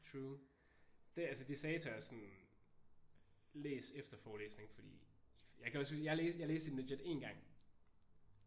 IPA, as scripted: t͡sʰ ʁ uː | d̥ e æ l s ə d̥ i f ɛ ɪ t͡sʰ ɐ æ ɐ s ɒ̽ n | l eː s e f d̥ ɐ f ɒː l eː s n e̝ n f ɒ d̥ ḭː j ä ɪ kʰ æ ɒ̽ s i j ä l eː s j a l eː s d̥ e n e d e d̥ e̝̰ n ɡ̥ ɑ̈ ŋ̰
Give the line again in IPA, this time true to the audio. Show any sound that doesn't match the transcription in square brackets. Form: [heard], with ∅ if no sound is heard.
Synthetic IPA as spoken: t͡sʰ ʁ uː | d̥ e æ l s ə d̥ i [s] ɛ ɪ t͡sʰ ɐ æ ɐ s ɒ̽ n | l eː s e f d̥ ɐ f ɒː l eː s n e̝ [ŋ] f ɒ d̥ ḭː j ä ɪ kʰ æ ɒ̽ s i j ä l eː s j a l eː s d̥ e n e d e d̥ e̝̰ n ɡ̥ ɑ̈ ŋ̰